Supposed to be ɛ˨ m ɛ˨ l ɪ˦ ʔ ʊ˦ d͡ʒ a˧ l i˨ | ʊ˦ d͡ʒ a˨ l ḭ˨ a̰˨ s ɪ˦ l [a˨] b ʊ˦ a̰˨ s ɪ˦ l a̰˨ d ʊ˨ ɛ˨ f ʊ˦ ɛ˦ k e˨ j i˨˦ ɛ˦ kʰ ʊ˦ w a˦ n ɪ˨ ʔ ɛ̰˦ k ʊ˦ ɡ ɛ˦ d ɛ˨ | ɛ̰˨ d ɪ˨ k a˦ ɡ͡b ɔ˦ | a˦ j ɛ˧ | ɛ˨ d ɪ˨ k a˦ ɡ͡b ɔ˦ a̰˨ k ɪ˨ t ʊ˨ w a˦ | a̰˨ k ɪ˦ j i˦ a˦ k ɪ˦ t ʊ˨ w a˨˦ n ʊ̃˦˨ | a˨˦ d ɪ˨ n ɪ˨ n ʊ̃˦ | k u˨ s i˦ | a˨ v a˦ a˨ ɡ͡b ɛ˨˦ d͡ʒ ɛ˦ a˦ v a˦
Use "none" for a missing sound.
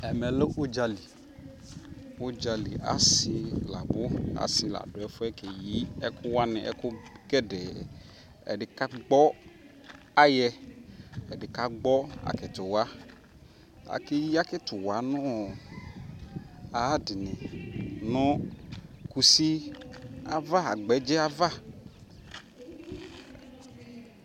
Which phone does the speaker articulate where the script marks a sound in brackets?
a˨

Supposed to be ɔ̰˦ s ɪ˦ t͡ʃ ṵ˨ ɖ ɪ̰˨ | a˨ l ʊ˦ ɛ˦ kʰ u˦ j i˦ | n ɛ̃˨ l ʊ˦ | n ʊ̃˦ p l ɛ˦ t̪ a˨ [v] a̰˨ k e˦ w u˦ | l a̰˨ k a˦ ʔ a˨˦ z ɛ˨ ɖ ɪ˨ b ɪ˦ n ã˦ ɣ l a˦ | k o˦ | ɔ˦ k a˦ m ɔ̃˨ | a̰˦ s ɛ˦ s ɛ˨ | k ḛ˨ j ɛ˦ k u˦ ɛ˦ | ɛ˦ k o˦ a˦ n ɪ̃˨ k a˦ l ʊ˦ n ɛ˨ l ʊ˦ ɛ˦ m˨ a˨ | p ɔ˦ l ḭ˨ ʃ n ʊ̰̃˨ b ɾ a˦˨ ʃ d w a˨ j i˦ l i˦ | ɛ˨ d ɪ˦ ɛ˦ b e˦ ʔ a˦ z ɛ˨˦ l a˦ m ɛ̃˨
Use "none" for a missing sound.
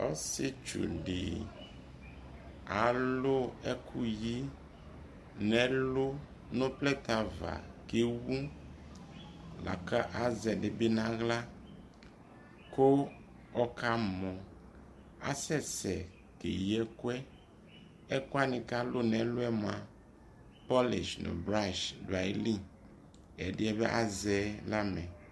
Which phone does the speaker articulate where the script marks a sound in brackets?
v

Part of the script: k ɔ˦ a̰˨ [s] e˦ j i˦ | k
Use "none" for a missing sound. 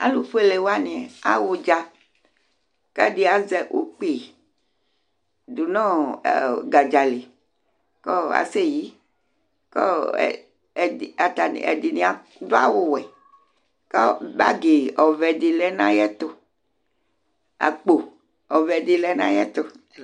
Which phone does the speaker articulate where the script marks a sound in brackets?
s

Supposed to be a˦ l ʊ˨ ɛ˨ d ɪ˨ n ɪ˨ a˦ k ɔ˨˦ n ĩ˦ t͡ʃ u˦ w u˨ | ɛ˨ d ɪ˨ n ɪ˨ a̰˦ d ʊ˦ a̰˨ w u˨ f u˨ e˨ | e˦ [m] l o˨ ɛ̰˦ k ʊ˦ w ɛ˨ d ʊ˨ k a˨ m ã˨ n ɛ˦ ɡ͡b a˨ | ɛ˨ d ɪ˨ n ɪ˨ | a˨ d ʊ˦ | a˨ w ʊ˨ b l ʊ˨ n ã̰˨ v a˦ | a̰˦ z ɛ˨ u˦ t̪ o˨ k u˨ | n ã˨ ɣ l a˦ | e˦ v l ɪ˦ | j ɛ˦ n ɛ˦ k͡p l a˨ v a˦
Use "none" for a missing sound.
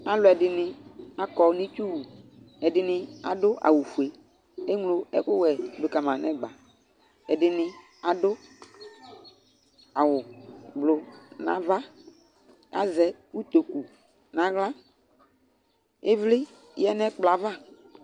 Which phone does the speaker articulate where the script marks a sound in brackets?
ŋ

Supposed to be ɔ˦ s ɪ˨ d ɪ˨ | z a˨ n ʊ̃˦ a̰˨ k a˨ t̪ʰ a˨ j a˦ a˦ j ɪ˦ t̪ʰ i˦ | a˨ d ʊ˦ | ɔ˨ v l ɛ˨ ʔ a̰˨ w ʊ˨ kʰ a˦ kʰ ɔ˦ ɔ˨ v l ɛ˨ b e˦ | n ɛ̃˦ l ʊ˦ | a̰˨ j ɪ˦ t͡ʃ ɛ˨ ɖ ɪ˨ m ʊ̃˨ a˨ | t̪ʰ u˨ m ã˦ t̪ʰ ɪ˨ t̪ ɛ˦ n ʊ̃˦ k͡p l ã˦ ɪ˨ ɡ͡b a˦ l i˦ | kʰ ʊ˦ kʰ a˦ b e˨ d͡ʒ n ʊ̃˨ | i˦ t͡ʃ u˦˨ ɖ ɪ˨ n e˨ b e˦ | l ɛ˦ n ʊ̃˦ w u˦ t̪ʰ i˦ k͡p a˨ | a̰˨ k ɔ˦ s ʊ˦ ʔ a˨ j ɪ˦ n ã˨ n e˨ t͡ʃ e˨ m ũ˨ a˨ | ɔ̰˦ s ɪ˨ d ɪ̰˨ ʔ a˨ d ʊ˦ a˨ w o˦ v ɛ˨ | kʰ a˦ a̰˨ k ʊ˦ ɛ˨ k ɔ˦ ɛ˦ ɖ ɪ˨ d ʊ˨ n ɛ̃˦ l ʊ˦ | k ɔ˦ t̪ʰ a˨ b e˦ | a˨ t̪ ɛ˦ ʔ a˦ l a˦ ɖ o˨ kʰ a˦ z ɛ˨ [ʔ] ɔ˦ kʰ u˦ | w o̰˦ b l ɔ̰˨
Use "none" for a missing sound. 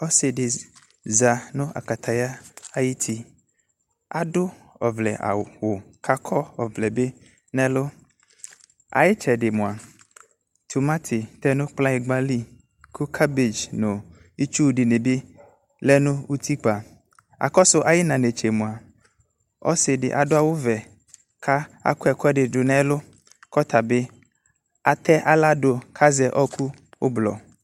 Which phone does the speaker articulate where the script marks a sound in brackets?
ʔ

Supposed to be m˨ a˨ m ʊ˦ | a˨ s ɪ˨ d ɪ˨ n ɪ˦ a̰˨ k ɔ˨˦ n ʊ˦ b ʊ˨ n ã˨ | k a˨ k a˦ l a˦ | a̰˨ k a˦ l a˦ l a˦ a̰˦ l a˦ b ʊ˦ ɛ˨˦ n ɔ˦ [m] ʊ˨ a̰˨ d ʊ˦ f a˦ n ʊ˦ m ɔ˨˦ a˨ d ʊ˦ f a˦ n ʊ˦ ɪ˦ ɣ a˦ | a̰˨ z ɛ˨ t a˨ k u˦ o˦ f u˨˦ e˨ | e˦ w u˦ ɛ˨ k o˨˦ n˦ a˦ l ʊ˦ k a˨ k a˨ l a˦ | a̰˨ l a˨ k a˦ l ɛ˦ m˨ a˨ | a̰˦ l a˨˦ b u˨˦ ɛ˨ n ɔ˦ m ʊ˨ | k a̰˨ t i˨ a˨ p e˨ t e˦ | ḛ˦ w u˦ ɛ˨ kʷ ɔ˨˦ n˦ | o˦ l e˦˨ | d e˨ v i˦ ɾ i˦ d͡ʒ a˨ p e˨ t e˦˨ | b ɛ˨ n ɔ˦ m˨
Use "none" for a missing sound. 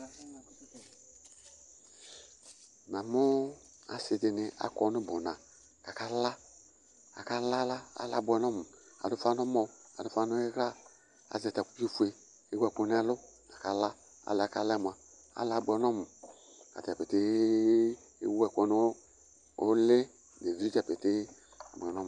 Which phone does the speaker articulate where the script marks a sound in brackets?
m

